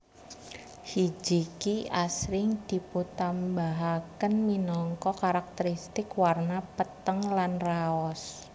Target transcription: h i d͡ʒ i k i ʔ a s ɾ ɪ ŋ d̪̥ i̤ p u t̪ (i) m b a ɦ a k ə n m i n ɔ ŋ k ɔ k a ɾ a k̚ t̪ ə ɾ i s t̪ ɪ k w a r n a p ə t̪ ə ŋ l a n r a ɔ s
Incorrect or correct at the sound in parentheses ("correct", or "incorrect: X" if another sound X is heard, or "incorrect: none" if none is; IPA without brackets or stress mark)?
incorrect: a